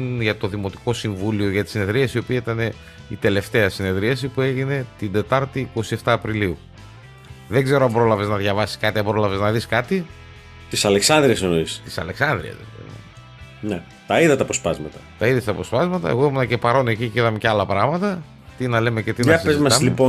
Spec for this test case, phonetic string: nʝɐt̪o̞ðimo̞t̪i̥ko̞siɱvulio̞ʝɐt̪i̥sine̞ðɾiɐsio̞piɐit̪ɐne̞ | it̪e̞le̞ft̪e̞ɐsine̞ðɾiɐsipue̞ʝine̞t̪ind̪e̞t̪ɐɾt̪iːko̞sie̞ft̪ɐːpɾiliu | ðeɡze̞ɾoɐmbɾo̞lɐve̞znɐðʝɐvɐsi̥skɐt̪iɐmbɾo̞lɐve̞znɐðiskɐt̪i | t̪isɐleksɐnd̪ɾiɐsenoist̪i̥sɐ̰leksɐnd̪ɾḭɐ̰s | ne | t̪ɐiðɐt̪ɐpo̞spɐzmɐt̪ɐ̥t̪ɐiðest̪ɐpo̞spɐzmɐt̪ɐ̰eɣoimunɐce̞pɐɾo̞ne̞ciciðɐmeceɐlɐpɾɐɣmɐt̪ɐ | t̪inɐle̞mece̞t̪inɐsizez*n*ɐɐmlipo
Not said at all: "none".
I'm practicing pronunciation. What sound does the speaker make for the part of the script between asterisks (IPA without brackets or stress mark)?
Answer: m